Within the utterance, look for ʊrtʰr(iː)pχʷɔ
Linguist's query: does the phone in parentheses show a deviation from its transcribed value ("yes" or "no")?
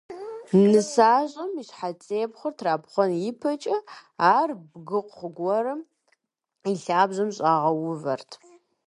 yes